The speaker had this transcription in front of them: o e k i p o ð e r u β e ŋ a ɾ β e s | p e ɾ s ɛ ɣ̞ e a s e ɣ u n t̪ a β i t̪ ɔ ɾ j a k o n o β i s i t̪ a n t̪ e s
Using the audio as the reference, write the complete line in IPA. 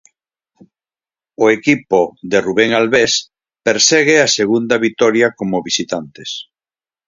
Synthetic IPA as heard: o e k i p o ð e r u β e ŋ a l β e s | p e ɾ s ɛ ɣ̞ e a s e ɣ u n d̪ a β i t̪ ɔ ɾ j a k o m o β i s i t̪ a n t̪ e s